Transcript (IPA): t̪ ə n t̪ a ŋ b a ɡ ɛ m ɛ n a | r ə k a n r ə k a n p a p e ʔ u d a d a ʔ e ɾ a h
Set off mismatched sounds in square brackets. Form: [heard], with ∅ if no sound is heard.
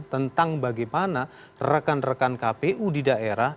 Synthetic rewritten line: t̪ ə n t̪ a ŋ b a ɡ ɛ m [a] n a | r ə k a n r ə k a n [k] a p e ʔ u d [i] d a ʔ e ɾ a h